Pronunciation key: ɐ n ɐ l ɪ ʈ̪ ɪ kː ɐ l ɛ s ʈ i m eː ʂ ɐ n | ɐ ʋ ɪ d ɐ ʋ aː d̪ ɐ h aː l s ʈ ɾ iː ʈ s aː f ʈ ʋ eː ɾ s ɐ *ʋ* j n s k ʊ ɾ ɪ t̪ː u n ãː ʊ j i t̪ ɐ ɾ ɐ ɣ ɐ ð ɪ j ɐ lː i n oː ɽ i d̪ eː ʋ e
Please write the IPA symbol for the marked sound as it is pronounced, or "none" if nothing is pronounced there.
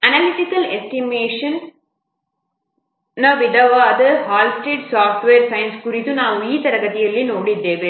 none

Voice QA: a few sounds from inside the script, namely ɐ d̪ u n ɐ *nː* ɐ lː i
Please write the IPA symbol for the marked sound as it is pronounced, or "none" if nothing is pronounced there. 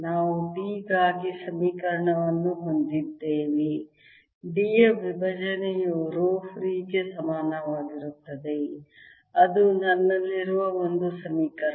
nː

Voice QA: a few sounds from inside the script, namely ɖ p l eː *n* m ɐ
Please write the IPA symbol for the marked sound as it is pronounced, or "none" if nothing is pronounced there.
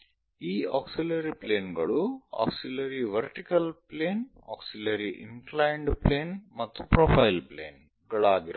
n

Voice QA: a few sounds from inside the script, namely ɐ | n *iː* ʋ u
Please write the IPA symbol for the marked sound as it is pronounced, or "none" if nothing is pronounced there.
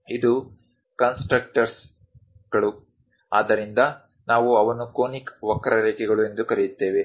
aː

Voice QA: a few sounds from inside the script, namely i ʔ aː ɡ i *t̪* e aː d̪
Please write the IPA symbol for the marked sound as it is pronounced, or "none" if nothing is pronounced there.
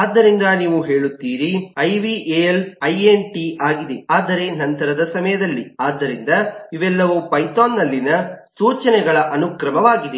d̪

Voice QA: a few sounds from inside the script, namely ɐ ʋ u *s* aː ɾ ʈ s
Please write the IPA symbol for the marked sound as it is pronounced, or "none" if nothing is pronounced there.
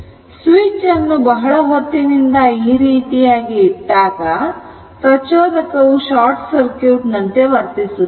ʃ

